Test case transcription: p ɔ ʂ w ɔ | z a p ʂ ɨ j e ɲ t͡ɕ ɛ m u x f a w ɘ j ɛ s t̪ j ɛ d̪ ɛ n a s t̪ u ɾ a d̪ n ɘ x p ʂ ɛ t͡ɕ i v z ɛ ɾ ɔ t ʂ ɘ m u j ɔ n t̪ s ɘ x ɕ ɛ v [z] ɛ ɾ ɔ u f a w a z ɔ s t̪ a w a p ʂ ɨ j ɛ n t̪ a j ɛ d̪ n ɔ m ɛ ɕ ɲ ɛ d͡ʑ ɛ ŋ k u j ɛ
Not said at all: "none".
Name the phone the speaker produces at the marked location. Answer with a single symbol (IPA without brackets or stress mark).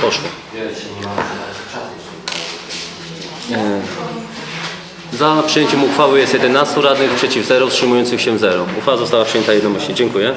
z